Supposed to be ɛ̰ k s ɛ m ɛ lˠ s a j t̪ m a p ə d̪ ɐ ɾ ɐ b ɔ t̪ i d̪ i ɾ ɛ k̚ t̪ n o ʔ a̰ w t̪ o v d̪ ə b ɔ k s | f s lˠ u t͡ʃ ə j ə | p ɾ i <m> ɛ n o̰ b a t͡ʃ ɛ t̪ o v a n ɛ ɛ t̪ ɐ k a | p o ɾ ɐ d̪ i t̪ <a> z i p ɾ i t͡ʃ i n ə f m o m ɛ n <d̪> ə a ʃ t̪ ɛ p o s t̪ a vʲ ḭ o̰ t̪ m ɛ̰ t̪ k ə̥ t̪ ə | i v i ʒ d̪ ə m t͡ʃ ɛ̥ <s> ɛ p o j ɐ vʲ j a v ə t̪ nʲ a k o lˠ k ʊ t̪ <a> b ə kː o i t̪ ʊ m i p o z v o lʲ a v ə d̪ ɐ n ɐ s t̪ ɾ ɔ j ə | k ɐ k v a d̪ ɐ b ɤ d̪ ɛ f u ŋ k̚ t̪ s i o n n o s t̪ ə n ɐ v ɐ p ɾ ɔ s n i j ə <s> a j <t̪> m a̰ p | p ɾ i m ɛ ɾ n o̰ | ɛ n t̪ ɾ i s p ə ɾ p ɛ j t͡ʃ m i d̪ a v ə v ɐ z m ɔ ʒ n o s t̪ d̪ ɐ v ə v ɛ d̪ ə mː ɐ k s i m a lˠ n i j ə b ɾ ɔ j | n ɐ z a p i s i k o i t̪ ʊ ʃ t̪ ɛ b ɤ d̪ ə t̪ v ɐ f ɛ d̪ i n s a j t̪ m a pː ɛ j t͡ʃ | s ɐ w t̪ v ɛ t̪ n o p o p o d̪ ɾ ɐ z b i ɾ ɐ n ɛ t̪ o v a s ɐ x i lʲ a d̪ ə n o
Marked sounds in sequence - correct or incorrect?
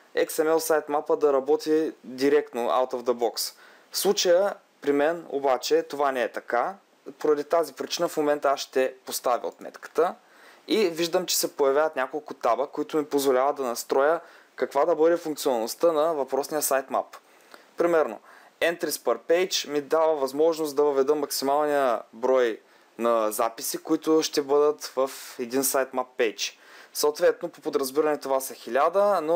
correct, correct, incorrect, correct, correct, correct, correct

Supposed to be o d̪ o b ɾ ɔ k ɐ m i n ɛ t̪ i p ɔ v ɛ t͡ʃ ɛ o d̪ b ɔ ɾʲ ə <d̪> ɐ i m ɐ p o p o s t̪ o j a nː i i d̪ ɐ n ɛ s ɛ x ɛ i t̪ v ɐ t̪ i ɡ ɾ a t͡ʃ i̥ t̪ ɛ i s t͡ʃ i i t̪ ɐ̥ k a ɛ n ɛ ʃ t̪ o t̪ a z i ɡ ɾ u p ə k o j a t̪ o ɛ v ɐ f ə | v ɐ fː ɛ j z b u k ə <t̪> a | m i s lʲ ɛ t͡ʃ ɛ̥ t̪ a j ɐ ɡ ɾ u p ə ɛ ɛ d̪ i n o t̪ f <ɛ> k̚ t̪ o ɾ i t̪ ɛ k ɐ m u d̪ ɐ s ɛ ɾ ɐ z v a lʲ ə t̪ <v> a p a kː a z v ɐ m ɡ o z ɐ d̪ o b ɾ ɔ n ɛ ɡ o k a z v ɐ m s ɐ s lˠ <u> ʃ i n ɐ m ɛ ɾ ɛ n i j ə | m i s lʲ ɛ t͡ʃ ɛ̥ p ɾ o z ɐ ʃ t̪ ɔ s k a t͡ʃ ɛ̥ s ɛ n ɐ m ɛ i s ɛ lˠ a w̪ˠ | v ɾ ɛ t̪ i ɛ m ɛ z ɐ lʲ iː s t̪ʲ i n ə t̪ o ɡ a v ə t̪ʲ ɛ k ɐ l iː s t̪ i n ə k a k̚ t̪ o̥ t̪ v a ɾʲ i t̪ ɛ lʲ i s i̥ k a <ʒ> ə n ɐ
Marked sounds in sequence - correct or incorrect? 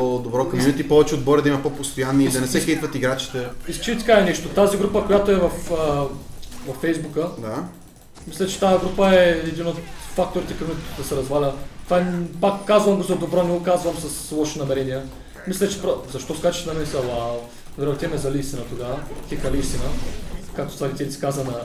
correct, incorrect, incorrect, correct, incorrect, incorrect

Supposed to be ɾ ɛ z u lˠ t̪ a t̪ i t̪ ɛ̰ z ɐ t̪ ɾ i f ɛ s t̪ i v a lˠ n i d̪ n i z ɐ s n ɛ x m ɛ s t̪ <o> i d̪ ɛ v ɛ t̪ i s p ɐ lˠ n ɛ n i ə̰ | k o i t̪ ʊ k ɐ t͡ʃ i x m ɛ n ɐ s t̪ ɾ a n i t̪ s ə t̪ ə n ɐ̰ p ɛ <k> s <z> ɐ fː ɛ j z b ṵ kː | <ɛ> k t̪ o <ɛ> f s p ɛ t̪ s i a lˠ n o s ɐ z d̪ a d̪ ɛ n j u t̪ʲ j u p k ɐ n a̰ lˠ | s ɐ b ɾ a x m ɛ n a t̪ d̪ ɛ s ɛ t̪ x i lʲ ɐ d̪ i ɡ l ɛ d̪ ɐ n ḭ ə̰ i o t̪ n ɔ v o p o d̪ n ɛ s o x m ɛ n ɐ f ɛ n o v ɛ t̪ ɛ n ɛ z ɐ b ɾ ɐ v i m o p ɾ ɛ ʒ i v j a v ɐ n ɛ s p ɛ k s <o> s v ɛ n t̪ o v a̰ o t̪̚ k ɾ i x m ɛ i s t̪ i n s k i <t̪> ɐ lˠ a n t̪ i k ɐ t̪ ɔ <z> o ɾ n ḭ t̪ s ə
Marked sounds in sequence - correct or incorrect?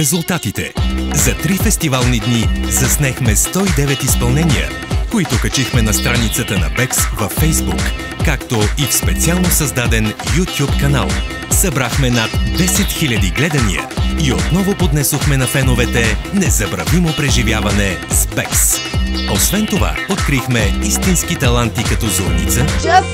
incorrect, correct, incorrect, incorrect, incorrect, correct, correct, correct

